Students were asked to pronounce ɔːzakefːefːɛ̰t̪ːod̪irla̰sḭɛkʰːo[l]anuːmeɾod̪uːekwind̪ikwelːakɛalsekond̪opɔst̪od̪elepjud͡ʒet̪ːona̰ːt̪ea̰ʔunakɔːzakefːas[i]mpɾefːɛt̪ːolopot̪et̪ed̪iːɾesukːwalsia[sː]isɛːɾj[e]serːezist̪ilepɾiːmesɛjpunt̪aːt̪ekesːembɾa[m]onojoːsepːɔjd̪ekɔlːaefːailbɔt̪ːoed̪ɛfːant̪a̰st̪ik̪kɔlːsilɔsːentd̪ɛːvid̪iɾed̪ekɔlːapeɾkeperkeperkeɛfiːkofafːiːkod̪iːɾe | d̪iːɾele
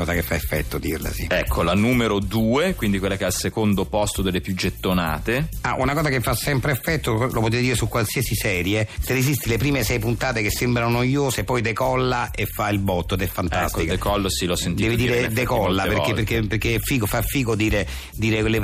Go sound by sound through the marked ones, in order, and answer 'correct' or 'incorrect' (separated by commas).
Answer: correct, incorrect, incorrect, correct, incorrect